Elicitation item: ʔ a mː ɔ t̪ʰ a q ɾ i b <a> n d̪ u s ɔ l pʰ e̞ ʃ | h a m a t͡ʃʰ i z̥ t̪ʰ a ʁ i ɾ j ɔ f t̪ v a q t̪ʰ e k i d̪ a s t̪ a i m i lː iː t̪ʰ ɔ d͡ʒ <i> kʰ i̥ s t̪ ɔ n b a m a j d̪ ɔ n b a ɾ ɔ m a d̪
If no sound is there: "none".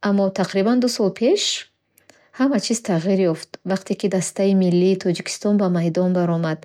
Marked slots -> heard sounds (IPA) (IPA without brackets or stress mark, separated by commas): a, i